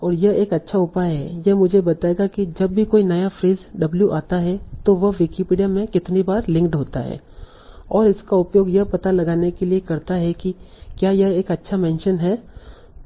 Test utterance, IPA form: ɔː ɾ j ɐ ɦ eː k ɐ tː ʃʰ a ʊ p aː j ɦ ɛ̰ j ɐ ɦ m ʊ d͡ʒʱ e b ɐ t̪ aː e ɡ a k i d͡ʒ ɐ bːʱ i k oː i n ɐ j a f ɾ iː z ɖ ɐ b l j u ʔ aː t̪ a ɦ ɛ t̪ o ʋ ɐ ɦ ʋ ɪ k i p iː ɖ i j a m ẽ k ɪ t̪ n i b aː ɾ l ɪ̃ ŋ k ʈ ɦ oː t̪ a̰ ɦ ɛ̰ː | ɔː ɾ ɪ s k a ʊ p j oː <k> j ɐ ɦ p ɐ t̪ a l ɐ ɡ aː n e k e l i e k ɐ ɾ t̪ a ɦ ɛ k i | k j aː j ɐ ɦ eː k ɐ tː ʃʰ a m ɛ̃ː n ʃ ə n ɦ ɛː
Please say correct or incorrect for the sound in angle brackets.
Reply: incorrect